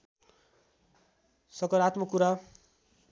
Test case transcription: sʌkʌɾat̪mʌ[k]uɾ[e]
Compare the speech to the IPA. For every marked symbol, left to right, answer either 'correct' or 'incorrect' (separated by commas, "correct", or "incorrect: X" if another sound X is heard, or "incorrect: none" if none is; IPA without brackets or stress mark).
correct, incorrect: a